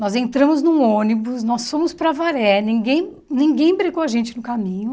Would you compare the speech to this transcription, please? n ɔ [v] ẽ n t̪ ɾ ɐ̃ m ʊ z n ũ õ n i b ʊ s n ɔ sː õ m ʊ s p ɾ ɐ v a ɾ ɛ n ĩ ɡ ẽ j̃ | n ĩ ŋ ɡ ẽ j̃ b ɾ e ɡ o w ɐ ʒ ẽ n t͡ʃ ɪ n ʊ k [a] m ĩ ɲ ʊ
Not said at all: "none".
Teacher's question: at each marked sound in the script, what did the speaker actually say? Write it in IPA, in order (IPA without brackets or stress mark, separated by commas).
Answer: z, a